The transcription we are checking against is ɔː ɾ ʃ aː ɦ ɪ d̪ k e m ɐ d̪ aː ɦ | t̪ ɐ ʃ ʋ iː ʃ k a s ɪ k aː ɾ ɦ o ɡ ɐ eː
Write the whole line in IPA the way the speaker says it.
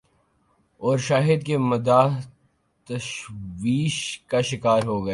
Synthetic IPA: ɔː ɾ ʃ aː ɦ ɪ d̪ k e m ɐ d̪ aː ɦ | t̪ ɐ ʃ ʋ iː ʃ k a ʃ ɪ k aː ɾ ɦ o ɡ ɐ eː